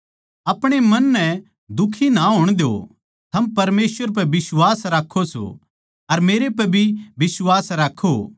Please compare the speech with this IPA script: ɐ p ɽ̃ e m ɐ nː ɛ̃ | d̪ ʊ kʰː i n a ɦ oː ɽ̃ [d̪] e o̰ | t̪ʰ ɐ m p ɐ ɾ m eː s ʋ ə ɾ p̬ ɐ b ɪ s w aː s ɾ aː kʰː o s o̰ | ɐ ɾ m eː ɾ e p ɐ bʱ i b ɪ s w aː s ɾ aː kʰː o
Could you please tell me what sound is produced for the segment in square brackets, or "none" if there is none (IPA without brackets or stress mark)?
d̪